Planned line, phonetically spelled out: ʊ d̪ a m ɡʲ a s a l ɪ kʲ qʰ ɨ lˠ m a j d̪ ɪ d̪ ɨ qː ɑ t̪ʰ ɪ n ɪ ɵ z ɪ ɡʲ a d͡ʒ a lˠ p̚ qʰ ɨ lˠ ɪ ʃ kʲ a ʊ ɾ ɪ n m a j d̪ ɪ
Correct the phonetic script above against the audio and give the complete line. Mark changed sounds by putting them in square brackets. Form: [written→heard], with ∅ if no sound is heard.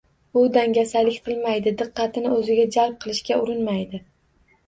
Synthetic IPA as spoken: ʊ d̪ a [m→ŋ] ɡʲ a s a l ɪ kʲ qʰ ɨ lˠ m a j d̪ ɪ d̪ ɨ qː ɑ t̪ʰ ɪ n ɪ ɵ z ɪ ɡʲ a d͡ʒ a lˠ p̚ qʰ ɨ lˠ ɪ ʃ kʲ a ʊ ɾ ɪ n m a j d̪ ɪ